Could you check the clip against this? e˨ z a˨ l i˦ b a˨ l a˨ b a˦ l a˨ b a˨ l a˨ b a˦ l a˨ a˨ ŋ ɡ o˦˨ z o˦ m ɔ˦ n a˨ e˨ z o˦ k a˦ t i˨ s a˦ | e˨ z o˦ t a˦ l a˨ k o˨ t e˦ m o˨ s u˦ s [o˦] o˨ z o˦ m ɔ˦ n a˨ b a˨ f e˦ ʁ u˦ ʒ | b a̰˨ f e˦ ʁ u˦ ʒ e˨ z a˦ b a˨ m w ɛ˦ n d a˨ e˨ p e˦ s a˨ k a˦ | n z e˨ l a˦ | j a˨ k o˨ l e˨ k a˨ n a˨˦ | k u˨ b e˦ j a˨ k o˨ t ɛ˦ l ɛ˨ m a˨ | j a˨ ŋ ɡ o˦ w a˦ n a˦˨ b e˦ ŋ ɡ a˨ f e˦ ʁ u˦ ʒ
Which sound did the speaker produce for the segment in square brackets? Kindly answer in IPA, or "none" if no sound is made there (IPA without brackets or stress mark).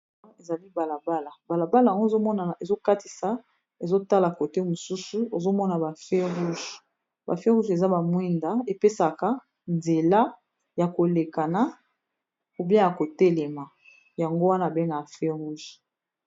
u˦